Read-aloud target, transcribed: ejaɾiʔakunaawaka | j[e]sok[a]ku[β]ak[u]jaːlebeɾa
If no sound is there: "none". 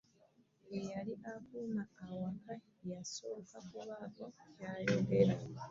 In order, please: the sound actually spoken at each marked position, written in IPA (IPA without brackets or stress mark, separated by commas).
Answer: a, a, β, o